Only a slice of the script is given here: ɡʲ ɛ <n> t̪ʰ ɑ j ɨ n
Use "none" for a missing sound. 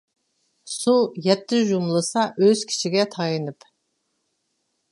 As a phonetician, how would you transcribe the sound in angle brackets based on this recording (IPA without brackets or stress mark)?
none